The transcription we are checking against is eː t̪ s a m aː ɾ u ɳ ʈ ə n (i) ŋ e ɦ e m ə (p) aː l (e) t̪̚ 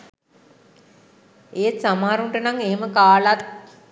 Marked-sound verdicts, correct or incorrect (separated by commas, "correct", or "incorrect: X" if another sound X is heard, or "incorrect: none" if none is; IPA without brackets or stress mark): incorrect: a, incorrect: k, incorrect: a